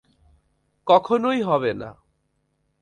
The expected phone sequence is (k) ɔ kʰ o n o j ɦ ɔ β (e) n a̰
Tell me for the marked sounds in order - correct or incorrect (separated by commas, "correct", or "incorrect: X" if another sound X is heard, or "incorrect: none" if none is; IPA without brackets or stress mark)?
correct, correct